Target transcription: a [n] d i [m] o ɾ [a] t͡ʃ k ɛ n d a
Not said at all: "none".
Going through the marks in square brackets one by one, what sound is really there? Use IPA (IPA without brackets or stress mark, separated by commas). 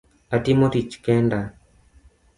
none, m, i